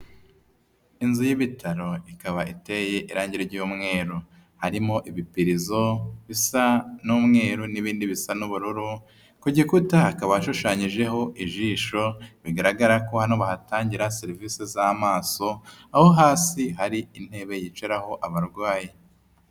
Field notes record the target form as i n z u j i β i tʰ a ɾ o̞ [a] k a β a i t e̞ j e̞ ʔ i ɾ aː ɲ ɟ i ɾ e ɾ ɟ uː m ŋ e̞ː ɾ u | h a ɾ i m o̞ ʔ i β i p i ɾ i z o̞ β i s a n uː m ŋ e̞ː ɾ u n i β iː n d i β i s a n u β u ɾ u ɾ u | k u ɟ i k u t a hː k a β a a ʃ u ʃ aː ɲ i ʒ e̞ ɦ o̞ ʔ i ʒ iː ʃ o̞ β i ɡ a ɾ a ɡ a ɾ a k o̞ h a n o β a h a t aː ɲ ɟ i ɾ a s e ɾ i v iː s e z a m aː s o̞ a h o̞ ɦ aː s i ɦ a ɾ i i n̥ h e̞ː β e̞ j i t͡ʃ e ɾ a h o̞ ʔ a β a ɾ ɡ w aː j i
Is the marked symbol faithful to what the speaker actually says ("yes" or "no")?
no